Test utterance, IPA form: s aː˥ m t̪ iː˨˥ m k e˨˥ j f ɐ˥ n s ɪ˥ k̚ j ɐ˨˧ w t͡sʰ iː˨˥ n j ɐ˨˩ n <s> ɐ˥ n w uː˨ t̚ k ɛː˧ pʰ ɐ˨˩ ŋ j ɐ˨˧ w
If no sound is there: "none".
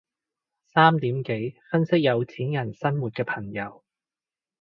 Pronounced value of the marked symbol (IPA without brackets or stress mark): s